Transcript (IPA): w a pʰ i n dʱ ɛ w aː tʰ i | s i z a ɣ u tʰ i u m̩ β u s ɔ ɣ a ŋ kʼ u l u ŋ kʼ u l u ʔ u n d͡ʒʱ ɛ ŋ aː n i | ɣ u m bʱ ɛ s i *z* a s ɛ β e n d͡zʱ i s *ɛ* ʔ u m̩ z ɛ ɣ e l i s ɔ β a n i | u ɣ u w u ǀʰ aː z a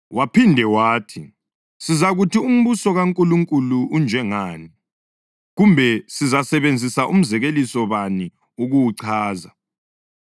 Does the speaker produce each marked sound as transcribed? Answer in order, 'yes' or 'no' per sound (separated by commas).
yes, no